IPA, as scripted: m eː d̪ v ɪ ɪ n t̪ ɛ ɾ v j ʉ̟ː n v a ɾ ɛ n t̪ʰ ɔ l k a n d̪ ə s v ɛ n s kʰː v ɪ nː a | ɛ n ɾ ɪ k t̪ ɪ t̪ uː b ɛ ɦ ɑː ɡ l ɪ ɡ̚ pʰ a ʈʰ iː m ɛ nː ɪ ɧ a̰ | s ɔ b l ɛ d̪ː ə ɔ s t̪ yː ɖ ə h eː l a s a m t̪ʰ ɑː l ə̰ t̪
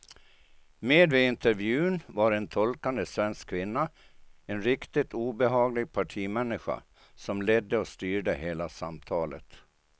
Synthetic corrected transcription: m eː d̪ v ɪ ɪ n t̪ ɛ ɾ v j ʉ̟ː n v a ɾ ɛ n t̪ʰ ɔ l k a n d̪ ə s v ɛ n s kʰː v ɪ nː a | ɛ n ɾ ɪ k t̪ ɪ t̪ uː b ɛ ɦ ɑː ɡ l ɪ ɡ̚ pʰ a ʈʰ iː m ɛ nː ɪ ɧ a̰ | s ɔ m l ɛ d̪ː ə ɔ s t̪ yː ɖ ə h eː l a s a m t̪ʰ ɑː l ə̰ t̪